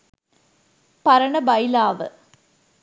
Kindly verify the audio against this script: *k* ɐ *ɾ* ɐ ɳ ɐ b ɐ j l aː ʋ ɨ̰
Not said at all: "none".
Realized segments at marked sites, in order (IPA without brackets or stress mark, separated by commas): p, ɾ